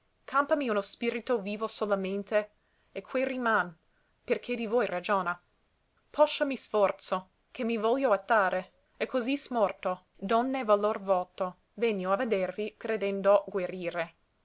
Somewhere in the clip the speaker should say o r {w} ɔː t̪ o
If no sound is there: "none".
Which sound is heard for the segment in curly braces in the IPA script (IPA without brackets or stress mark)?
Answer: v